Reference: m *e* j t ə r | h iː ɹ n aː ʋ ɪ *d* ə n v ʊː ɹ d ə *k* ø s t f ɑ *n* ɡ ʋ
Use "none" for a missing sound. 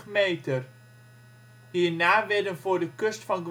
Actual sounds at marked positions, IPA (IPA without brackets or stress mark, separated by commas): e, d, k, n